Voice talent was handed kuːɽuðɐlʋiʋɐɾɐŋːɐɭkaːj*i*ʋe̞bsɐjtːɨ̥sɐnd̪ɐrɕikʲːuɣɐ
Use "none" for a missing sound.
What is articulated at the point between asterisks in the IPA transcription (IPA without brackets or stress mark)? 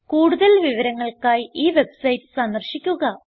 iː